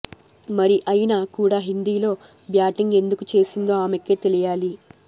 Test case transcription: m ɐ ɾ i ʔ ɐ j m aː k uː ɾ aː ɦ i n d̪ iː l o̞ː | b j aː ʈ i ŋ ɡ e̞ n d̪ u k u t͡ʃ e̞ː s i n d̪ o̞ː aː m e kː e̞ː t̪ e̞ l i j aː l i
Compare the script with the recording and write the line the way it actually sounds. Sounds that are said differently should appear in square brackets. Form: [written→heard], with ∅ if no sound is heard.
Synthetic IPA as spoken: m ɐ ɾ i ʔ ɐ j [m→n] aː k uː [ɾ→ɽ] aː ɦ i n d̪ iː l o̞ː | b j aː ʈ i ŋ ɡ e̞ n d̪ u k u t͡ʃ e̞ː s i n d̪ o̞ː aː m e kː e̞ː t̪ e̞ l i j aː l i